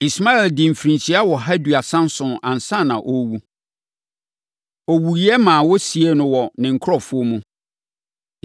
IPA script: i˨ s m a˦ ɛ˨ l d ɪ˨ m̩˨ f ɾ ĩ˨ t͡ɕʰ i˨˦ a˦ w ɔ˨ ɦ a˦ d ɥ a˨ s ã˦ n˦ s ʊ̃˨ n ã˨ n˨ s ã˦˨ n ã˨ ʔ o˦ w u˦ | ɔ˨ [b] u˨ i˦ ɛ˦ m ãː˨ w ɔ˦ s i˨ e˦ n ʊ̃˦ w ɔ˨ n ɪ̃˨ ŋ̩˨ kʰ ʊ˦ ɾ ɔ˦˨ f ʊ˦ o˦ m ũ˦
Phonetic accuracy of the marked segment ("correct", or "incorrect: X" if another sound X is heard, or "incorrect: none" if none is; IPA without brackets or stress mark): incorrect: w